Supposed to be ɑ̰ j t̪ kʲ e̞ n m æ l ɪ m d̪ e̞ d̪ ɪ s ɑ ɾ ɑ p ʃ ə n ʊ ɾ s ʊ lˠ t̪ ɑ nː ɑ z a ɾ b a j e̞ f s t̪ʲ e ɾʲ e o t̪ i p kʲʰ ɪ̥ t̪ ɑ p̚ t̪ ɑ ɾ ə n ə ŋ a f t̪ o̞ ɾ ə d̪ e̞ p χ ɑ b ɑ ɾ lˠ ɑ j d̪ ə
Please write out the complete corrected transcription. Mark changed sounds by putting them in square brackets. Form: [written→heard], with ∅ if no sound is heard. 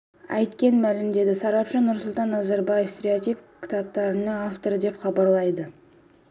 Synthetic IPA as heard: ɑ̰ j t̪ kʲ e̞ n m æ l ɪ m d̪ e̞ d̪ ɪ s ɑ ɾ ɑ p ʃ ə n ʊ ɾ s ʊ lˠ t̪ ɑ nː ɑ z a ɾ b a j e̞ f s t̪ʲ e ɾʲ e o t̪ i p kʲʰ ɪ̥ t̪ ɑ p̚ t̪ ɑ ɾ ə n ə ŋ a f t̪ o̞ ɾ ə d̪ e̞ p χ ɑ b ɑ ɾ lˠ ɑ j d̪ ə